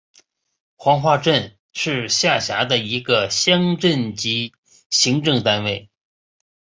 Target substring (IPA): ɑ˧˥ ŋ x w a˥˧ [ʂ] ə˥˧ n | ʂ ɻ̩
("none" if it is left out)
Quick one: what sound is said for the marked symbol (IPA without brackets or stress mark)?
ʈ͡ʂ